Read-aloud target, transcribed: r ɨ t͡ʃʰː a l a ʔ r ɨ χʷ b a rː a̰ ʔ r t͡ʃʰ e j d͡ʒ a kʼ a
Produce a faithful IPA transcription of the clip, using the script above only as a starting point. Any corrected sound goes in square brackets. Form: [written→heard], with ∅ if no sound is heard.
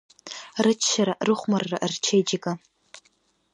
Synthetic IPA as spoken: r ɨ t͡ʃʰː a [l→ɾ] a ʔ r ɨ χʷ [b→m] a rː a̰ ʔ r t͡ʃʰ e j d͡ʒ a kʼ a